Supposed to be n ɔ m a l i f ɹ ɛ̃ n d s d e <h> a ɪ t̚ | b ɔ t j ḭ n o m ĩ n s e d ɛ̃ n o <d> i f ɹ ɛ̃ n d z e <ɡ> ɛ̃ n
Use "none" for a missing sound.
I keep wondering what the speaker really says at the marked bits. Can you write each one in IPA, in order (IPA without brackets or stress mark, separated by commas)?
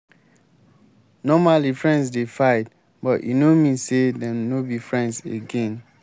f, b, ɡ